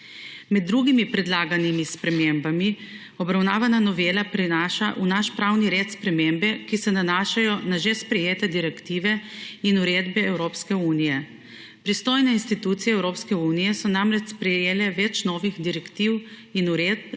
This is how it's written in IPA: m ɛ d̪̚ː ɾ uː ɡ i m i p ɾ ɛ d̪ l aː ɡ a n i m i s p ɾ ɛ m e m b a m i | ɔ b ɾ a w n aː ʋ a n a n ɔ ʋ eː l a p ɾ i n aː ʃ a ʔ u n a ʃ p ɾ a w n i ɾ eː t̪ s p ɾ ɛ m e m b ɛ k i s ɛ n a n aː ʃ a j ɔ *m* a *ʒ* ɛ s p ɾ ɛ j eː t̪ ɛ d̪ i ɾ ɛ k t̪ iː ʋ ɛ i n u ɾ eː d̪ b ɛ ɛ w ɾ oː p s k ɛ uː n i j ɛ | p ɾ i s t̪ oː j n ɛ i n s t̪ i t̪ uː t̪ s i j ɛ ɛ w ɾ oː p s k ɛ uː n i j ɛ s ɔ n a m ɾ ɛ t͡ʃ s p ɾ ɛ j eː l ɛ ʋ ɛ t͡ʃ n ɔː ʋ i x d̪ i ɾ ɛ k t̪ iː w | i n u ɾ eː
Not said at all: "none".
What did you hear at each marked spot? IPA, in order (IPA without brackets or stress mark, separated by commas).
n, ʒ